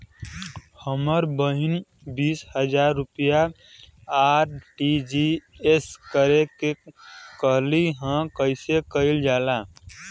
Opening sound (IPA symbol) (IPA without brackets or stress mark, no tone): h